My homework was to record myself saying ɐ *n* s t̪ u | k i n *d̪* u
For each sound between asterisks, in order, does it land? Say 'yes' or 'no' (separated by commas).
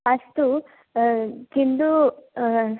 no, yes